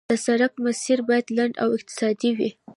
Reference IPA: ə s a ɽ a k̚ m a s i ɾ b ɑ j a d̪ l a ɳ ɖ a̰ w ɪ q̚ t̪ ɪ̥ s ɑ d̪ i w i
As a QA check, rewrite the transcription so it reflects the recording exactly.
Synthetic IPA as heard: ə s a ɾ a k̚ m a s i ɾ b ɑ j a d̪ l a ɳ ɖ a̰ w ɪ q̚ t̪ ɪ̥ s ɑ d̪ i w i